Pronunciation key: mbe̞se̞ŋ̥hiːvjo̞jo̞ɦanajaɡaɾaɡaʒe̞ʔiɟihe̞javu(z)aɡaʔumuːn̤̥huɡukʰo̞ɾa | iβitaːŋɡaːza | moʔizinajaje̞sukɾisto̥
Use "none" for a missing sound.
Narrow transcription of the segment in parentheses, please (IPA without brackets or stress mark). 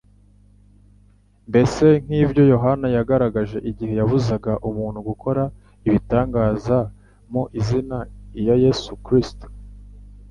z